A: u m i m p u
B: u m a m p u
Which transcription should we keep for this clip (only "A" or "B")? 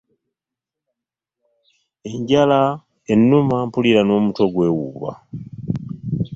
B